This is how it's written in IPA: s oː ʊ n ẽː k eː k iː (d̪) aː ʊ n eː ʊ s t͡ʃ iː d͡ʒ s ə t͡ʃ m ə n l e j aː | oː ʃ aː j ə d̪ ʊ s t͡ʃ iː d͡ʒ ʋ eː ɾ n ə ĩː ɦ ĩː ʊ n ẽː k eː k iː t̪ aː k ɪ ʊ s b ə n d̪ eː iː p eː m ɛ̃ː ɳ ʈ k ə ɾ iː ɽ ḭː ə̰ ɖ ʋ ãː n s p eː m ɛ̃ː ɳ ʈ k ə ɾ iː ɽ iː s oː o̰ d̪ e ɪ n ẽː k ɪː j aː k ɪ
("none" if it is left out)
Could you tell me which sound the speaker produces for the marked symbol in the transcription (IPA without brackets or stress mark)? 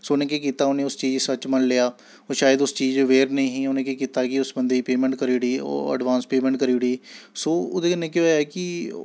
t̪